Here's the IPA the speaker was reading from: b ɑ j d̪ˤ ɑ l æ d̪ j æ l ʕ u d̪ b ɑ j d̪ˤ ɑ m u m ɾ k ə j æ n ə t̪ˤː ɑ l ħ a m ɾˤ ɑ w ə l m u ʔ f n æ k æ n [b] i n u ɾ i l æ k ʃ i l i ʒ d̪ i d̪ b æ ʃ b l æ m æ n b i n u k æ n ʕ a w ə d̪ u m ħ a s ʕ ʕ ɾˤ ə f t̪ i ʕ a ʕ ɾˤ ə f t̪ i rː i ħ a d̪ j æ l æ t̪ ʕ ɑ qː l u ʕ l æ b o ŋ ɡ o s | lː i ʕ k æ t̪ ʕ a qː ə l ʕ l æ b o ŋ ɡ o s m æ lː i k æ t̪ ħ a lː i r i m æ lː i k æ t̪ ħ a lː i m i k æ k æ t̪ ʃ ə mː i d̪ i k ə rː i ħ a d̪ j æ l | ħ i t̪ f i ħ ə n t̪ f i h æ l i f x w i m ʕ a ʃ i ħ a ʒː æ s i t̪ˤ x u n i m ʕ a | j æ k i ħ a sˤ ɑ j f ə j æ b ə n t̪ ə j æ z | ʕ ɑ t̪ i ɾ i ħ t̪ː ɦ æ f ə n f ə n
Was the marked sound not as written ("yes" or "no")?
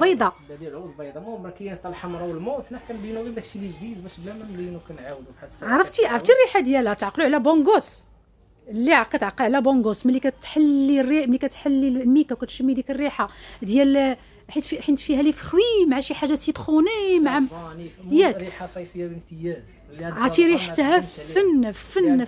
no